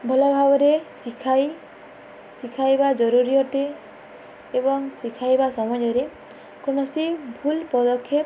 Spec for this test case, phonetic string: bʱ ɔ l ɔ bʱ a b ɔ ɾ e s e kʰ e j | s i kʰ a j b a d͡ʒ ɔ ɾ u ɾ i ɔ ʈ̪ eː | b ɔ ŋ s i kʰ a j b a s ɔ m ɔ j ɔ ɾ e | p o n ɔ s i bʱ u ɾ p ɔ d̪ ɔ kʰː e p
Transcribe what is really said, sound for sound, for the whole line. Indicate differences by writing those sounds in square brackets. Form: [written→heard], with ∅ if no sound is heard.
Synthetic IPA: bʱ ɔ l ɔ bʱ a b ɔ ɾ e s [e→i] kʰ [e→a] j | s i kʰ a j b a d͡ʒ ɔ ɾ u ɾ i ɔ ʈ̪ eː | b ɔ ŋ s i kʰ a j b a s ɔ m ɔ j ɔ ɾ e | [p→k] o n ɔ s i bʱ u [ɾ→l] p ɔ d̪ ɔ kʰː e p